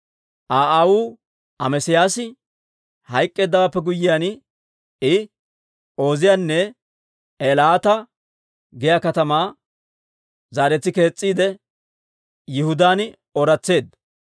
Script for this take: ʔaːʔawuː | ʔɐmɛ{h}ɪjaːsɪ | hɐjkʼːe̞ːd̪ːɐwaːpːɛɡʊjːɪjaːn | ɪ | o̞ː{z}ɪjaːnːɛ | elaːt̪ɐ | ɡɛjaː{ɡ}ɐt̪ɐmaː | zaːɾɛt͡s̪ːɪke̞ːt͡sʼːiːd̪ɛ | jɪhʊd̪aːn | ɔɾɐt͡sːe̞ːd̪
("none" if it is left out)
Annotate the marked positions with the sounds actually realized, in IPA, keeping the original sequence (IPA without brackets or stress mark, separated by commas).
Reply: s, z, k